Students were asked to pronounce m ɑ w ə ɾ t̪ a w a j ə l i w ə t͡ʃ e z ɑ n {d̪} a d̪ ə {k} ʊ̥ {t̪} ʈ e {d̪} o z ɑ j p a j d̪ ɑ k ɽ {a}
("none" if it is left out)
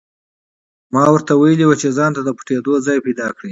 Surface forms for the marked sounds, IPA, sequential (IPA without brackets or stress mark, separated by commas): t̪, p, none, d̪, i